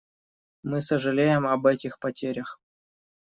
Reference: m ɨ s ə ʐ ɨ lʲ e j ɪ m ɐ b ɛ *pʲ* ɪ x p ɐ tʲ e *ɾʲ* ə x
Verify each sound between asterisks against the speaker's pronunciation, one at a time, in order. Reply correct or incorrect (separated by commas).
incorrect, correct